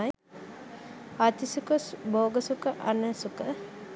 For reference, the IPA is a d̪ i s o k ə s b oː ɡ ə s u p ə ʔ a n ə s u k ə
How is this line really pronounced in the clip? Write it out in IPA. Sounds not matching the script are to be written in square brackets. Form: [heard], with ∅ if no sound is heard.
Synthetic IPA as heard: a [t̪] i s [u] k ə s b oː ɡ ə s u [k] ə ʔ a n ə s u k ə